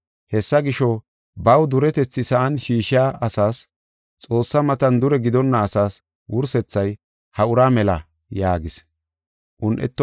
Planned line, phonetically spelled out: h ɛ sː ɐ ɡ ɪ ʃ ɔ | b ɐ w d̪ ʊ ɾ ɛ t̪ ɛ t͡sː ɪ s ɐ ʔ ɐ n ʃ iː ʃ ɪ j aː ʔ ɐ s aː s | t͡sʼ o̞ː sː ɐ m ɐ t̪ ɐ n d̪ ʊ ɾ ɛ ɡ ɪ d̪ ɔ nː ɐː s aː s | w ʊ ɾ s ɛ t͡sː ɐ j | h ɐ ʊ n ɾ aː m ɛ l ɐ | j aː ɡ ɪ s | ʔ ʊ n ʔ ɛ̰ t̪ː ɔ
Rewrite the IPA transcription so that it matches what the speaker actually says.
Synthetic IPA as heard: h ɛ sː ɐ ɡ ɪ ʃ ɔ | b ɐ w d̪ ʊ ɾ ɛ t̪ ɛ t͡sː ɪ s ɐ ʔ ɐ n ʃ iː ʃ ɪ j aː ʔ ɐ s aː s | t͡sʼ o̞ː sː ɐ m ɐ t̪ ɐ n d̪ ʊ ɾ ɛ ɡ ɪ d̪ ɔ nː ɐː s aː s | w ʊ ɾ s ɛ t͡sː ɐ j | h ɐ ʊ ɾ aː m ɛ l ɐ | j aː ɡ ɪ s | ʔ ʊ n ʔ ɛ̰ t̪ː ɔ